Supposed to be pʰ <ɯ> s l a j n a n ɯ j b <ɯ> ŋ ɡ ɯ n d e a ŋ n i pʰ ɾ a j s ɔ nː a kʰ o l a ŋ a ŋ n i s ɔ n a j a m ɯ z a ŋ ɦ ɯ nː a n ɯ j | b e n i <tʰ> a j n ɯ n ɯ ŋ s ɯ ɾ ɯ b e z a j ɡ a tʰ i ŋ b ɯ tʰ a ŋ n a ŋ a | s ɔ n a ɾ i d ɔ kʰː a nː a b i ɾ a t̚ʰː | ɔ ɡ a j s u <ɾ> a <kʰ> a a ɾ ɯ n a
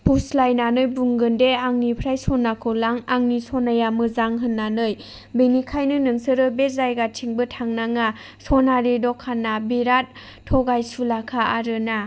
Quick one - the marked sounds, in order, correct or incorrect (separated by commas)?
incorrect, incorrect, incorrect, incorrect, correct